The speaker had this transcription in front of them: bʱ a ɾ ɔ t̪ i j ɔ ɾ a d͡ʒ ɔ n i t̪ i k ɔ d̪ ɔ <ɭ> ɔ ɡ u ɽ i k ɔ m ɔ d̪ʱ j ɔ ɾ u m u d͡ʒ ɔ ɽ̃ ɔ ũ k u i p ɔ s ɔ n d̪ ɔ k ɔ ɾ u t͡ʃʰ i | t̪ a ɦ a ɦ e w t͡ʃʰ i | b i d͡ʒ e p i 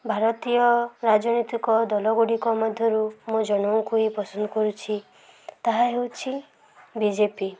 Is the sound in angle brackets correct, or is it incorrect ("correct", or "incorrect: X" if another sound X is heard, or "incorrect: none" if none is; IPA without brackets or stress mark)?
incorrect: l